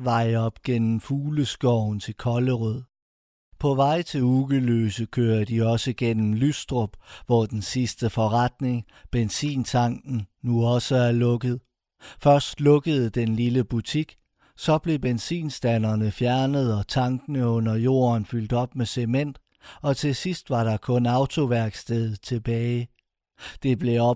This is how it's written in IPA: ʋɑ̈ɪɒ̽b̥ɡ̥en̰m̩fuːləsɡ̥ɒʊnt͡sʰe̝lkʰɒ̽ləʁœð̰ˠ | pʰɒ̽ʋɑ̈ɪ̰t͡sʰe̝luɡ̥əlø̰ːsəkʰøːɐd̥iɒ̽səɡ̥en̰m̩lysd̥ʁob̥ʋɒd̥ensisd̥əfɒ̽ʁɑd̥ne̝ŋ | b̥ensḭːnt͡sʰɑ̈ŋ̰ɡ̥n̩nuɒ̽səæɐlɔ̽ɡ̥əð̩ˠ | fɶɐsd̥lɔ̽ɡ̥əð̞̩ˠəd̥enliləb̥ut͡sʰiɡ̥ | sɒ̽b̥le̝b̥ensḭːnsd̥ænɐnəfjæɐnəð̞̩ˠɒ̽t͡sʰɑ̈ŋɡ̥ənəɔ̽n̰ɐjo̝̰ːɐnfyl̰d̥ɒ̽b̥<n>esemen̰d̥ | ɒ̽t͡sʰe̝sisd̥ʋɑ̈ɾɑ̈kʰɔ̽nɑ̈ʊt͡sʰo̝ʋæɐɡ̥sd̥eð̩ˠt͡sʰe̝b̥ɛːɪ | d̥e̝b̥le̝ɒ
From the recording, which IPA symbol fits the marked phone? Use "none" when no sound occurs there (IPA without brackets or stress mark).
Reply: m